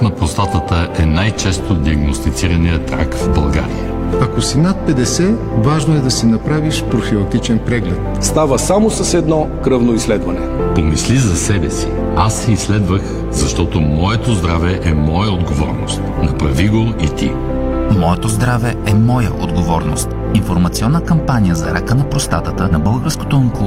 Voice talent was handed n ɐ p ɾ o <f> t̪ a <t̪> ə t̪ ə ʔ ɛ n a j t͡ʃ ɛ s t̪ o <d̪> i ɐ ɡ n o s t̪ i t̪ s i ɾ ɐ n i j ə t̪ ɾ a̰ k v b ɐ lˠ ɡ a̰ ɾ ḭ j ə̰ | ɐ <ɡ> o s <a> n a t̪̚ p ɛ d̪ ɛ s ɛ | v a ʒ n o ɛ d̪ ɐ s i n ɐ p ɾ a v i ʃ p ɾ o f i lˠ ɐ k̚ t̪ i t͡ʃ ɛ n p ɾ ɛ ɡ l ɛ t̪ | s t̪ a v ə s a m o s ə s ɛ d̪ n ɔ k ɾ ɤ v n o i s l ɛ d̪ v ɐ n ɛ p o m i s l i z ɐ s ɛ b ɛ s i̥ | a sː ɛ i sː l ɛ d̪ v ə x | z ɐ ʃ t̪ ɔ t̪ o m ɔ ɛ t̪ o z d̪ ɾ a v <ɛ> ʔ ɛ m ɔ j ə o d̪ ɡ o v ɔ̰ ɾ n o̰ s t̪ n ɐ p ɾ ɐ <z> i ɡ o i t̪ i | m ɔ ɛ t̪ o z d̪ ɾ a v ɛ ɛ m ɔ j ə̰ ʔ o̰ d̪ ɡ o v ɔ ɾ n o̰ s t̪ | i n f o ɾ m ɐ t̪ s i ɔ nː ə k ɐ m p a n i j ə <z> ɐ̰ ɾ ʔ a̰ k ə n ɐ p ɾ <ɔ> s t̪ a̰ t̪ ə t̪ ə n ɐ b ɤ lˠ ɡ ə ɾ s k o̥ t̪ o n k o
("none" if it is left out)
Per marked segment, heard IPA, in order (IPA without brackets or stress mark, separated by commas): s, t̪, d̪, k, i, ɛ, v, z, o